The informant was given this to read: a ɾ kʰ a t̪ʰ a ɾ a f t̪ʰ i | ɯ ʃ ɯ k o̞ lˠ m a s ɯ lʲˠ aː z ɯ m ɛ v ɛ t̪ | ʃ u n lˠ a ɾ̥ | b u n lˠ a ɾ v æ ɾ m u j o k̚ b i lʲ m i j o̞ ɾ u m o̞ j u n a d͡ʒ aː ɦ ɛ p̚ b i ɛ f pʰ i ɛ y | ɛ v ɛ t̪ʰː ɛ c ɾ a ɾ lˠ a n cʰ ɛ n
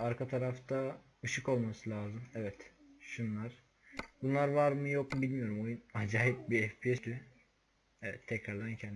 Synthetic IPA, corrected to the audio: a ɾ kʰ a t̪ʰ a ɾ a f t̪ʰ a | ɯ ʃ ɯ k o̞ lˠ m a s ɯ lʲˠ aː z ɯ m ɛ v ɛ t̪ | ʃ u n lˠ a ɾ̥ | b u n lˠ a ɾ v a ɾ m ɯ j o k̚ b i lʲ m i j o̞ ɾ u m o̞ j u n a d͡ʒ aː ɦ i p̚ b i ɛ f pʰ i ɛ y | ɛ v ɛ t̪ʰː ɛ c ɾ a ɾ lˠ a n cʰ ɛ n